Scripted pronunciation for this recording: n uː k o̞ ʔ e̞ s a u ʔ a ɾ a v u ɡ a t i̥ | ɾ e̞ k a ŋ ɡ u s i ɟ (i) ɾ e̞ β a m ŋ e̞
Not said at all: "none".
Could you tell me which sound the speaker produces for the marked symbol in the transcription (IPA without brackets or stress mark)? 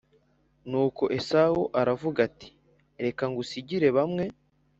i